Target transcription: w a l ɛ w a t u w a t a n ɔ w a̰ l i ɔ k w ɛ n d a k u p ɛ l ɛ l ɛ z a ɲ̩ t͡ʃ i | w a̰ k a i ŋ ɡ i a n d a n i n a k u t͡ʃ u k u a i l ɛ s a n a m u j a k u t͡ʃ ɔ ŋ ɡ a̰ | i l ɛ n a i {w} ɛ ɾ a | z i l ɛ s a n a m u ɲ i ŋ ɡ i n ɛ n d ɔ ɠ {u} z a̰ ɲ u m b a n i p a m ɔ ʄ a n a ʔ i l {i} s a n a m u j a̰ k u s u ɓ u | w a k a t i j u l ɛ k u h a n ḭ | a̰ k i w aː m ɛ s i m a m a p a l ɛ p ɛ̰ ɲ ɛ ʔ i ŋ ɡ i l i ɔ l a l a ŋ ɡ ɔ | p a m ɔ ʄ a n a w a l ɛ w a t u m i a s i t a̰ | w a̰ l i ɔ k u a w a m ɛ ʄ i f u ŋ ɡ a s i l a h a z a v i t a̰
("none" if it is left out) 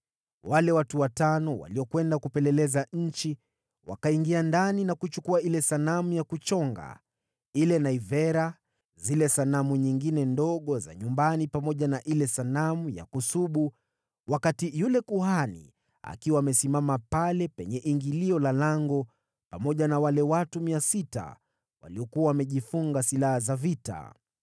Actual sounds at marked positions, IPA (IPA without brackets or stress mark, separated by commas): v, ɔ, ɛ